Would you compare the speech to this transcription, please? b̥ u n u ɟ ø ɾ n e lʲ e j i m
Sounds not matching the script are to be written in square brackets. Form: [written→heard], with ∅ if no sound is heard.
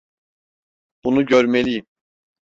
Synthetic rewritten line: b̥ u n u ɟ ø ɾ [n→m] e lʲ [e→i] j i m